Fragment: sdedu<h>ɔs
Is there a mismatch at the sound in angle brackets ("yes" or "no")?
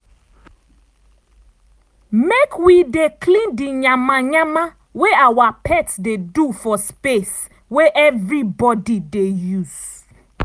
yes